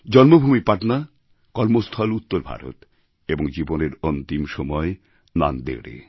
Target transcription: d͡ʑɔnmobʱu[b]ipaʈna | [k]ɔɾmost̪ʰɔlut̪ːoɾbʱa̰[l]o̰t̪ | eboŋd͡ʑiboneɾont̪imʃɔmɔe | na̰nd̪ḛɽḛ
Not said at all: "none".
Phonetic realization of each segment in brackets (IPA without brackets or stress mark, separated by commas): m, k, ɾ